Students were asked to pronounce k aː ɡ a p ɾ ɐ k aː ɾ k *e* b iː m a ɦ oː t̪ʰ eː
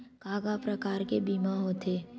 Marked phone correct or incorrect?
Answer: correct